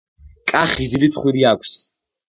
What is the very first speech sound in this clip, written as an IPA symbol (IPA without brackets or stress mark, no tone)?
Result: kʼ